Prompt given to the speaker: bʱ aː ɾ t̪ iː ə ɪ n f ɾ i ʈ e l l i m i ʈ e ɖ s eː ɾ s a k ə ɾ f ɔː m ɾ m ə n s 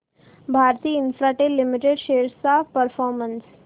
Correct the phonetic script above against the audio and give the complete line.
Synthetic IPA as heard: bʱ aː ɾ t̪ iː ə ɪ n f ɾ a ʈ e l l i m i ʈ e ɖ ʃ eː ɾ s a p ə ɾ f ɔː ɾ m ə n s